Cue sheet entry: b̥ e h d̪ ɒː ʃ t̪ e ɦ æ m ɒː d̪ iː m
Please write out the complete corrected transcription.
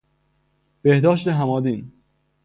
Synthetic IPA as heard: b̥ e h d̪ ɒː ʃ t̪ e ɦ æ m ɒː d̪ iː n

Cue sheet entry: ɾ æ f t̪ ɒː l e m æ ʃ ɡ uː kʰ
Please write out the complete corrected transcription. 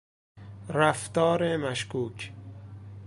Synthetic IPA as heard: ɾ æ f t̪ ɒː ɾ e m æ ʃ k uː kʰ

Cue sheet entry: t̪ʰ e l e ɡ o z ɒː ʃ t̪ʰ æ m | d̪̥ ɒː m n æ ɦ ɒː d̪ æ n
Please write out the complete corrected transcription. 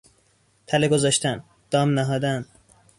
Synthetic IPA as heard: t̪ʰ æ l e ɡ o z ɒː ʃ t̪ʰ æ n | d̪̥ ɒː m n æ ɦ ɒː d̪ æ n

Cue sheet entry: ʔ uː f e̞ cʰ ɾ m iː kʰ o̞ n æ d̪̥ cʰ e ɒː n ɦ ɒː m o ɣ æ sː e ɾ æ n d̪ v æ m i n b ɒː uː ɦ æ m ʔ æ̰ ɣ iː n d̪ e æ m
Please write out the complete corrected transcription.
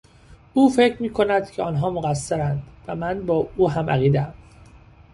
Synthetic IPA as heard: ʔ uː f e̞ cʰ ɾ m iː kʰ o̞ n æ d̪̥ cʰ e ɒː n ɦ ɒː m o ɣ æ sː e ɾ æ n d̪ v æ m æ n b ɒː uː ɦ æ m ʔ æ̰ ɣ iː d̪ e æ m

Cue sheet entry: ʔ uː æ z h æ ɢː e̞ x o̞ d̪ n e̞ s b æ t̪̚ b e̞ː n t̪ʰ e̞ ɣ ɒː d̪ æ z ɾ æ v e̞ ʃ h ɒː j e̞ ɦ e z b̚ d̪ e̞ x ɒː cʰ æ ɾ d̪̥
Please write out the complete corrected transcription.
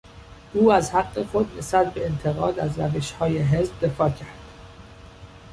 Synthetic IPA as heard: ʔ uː æ z h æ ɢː e̞ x o̞ d̪ n e̞ s b æ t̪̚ b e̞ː n t̪ʰ e̞ ɣ ɒː d̪ æ z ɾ æ v e̞ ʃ h ɒː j e̞ ɦ e z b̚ d̪ e̞ f ɒː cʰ æ ɾ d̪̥

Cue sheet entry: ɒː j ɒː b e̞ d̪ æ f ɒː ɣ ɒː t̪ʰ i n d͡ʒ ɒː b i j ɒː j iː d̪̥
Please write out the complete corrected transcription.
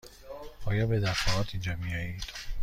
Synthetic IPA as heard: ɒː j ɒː b e̞ d̪ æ f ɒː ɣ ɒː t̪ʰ i n d͡ʒ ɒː m i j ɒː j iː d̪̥

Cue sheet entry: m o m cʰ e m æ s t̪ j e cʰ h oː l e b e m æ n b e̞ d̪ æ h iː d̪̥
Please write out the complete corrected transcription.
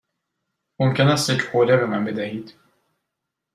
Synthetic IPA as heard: m o m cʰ e n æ s t̪ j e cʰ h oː l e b e m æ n b e̞ d̪ æ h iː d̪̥

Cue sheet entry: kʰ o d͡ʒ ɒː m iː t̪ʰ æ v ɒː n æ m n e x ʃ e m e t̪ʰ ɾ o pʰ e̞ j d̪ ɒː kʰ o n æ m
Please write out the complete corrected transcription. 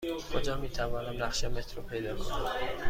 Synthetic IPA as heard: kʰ o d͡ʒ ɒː m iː t̪ʰ æ v ɒː n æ m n æ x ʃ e m e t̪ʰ ɾ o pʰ e̞ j d̪ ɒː kʰ o n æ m

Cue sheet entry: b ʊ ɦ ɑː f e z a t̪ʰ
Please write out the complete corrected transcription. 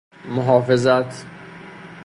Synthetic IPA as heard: m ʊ ɦ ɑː f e z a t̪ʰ

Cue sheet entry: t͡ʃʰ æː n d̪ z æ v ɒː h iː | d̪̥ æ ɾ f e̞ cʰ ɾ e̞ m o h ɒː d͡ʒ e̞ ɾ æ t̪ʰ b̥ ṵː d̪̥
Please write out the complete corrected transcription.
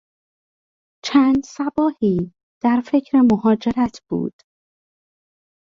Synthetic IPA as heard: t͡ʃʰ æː n d̪ s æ b ɒː h iː | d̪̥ æ ɾ f e̞ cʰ ɾ e̞ m o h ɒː d͡ʒ e̞ ɾ æ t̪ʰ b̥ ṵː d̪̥

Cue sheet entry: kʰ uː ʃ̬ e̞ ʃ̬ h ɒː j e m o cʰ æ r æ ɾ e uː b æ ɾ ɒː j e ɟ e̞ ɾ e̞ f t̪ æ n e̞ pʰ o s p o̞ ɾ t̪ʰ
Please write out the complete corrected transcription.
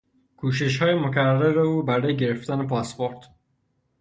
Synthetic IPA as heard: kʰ uː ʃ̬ e̞ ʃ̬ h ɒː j e m o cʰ æ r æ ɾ e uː b æ ɾ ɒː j e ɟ e̞ ɾ e̞ f t̪ æ n e̞ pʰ ɒ s p o̞ ɾ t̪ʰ

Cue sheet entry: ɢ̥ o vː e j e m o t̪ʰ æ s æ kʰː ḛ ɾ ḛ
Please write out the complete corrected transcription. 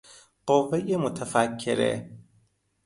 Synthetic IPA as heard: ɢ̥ o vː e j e m o t̪ʰ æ f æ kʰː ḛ ɾ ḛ

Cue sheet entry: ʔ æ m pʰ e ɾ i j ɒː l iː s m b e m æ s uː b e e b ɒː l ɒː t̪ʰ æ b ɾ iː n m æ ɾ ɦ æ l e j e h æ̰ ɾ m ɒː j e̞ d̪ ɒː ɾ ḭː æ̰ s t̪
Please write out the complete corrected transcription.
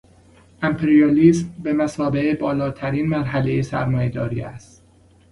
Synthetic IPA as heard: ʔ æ m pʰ e ɾ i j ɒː l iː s m b e m æ s ɒː b e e b ɒː l ɒː t̪ʰ æ ɾ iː n m æ ɾ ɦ æ l e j e s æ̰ ɾ m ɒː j e̞ d̪ ɒː ɾ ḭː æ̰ s t̪

